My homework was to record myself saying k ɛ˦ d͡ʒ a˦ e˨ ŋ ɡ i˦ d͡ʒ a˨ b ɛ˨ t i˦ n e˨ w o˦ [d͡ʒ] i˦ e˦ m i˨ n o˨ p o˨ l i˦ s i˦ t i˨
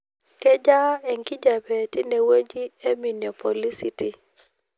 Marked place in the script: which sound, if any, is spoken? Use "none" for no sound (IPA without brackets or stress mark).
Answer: d͡ʒ